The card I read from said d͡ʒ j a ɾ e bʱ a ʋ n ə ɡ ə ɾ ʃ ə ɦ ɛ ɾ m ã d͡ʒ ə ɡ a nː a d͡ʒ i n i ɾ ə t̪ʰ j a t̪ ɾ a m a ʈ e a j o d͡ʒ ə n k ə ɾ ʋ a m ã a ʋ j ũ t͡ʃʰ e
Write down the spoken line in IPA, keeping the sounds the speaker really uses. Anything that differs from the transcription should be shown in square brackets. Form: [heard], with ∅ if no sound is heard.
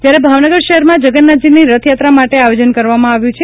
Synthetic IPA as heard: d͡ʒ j a ɾ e bʱ a ʋ n ə ɡ ə ɾ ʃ ə ɦ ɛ ɾ m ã d͡ʒ ə ɡ [ə] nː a d͡ʒ i n i ɾ ə t̪ʰ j a t̪ ɾ a m a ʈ e a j o d͡ʒ ə n k ə ɾ ʋ a m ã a ʋ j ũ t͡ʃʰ e